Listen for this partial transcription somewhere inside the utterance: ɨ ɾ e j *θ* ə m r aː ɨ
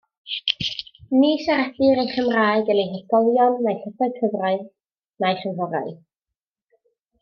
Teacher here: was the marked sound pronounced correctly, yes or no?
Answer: no